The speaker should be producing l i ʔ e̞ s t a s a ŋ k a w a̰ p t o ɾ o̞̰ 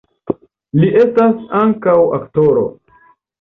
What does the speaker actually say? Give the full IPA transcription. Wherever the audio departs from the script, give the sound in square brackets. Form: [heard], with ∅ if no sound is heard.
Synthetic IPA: l i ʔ e̞ s t a s a ŋ k a w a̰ [k] t o ɾ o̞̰